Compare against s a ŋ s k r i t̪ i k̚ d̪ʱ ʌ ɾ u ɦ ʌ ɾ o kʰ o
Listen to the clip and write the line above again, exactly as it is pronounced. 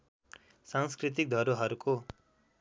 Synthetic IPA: s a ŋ s k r i t̪ i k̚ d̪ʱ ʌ ɾ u ɦ ʌ ɾ u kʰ o